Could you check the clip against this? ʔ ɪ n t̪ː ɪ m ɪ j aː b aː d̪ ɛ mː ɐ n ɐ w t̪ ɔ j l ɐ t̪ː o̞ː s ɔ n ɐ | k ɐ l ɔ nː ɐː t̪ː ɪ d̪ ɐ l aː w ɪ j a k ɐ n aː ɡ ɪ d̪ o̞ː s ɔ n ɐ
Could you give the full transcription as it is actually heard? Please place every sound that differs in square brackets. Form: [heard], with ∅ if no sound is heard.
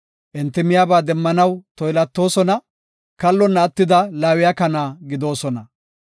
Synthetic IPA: ʔ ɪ n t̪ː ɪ m ɪ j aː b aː d̪ ɛ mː ɐ n ɐ w t̪ ɔ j l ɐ t̪ː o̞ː s ɔ n ɐ | k ɐ [lː] ɔ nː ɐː t̪ː ɪ d̪ ɐ l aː w ɪ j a k ɐ n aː ɡ ɪ d̪ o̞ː s ɔ n ɐ

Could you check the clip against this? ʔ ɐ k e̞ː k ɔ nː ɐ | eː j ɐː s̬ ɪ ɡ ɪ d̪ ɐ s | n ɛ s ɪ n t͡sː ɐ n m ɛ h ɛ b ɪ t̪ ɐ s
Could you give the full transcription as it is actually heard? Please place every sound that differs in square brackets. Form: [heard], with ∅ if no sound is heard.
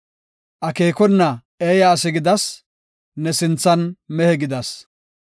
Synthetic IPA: ʔ ɐ k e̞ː k ɔ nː ɐ | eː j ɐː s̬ ɪ ɡ ɪ d̪ ɐ s | n ɛ s ɪ n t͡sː ɐ n m ɛ h ɛ [ɡ] ɪ [d̪] ɐ s

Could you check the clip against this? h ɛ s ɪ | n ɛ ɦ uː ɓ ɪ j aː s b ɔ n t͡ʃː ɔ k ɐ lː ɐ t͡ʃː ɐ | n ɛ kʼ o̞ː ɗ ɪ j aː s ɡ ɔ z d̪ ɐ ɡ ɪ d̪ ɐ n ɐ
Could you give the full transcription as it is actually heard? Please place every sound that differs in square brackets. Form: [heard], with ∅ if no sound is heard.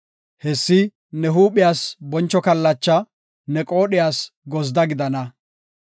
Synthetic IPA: h ɛ [sː] ɪ | n ɛ ɦ uː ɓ ɪ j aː s b ɔ n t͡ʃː ɔ k ɐ lː ɐ t͡ʃː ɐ | n ɛ kʼ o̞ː ɗ ɪ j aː s ɡ ɔ z d̪ ɐ ɡ ɪ d̪ ɐ n ɐ

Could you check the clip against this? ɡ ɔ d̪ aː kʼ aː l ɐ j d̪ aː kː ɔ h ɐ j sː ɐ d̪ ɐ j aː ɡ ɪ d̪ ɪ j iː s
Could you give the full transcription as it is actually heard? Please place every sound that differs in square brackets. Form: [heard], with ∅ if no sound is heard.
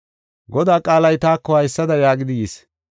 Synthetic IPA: ɡ ɔ d̪ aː kʼ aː l ɐ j [t̪] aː kː ɔ h ɐ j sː ɐ d̪ ɐ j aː ɡ ɪ d̪ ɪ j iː s

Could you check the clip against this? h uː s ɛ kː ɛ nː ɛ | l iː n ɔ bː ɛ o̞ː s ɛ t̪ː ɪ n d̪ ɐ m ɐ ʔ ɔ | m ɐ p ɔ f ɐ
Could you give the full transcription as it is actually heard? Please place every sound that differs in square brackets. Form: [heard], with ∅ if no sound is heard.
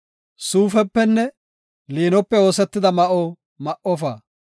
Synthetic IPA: [s] uː [f] ɛ [pː] ɛ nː ɛ | l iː n ɔ [pː] ɛ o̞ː s ɛ t̪ː ɪ [∅] d̪ ɐ m ɐ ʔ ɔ | m ɐ [ʔ] ɔ f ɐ

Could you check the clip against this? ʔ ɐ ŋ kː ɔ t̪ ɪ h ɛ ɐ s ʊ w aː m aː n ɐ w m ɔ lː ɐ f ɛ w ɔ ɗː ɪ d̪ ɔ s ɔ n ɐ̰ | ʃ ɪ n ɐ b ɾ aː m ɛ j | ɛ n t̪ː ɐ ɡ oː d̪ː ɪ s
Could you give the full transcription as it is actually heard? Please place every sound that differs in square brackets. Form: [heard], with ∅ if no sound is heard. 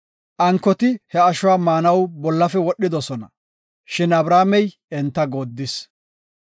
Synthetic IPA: ʔ ɐ ŋ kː ɔ t̪ ɪ h ɛ ɐ [ʃ] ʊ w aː m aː n ɐ w [b] ɔ lː ɐ f ɛ w ɔ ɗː ɪ d̪ ɔ s ɔ n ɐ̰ | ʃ ɪ n ɐ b ɾ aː m ɛ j | ɛ n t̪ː ɐ ɡ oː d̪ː ɪ s

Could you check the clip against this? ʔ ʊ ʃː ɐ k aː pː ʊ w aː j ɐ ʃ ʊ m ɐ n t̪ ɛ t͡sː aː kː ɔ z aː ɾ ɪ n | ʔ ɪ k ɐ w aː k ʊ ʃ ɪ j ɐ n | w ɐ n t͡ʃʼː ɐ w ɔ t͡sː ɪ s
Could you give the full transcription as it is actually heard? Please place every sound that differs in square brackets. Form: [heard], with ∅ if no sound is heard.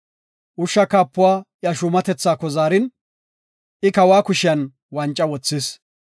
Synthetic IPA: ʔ ʊ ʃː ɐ k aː pː ʊ w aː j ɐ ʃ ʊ m ɐ [∅] t̪ ɛ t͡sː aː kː ɔ z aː ɾ ɪ n | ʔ ɪ k ɐ w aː k ʊ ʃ ɪ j ɐ n | w ɐ n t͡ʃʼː ɐ w ɔ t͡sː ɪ s

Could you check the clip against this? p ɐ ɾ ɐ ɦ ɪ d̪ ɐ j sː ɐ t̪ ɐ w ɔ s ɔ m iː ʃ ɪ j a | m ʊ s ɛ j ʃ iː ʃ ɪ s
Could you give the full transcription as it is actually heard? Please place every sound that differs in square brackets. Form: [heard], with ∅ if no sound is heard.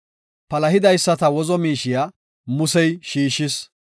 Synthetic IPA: p ɐ [l] ɐ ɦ ɪ d̪ ɐ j sː ɐ t̪ ɐ w ɔ [z] ɔ m iː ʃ ɪ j a | m ʊ s ɛ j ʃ iː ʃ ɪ s

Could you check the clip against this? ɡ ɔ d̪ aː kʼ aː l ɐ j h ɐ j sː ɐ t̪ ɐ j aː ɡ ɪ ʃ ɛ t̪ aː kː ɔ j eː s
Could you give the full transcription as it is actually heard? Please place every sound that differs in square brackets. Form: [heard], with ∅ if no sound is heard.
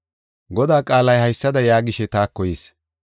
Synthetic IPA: ɡ ɔ d̪ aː kʼ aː l ɐ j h ɐ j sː ɐ [d̪] ɐ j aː ɡ ɪ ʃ ɛ t̪ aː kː ɔ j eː s

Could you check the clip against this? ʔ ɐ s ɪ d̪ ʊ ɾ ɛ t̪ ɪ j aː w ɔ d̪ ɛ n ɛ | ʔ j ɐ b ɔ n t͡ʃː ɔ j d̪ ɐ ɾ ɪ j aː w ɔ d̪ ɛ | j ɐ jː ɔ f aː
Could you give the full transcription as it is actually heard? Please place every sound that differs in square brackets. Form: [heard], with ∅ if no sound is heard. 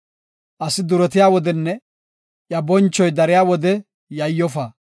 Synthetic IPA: ʔ ɐ s ɪ d̪ ʊ ɾ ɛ t̪ ɪ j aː w ɔ d̪ ɛ [nː] ɛ | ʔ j ɐ b ɔ n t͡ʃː ɔ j d̪ ɐ ɾ ɪ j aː w ɔ d̪ ɛ | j ɐ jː ɔ f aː

